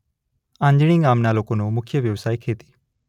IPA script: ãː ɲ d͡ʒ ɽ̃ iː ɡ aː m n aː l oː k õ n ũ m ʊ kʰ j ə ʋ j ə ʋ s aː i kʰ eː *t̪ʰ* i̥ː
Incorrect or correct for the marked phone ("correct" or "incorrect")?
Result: incorrect